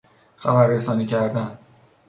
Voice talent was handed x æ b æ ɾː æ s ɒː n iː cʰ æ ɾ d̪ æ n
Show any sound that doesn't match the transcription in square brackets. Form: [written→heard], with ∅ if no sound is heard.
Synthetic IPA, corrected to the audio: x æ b æ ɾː [æ→e] s ɒː n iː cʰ æ ɾ d̪ æ n